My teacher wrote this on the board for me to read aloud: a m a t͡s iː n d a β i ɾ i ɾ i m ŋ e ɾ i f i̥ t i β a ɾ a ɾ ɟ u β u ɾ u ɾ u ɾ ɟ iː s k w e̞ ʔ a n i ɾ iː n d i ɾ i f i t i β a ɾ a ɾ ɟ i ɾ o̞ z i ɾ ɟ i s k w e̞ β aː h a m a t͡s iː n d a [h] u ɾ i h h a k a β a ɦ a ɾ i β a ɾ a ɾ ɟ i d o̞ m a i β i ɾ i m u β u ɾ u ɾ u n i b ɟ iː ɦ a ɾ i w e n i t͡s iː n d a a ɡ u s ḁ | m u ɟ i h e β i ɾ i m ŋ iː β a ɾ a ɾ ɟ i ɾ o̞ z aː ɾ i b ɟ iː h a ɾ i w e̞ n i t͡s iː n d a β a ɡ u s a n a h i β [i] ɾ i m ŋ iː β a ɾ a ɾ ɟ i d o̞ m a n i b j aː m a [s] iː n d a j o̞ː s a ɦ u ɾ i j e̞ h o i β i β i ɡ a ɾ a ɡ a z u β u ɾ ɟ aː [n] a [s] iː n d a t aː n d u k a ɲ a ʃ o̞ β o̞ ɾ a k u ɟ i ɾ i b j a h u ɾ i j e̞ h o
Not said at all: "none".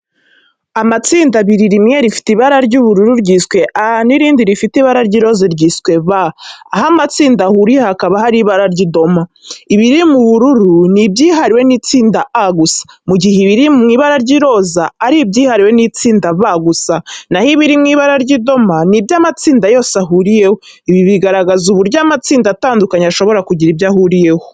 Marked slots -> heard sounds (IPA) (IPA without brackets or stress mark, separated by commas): h, i, t͡s, m, t͡s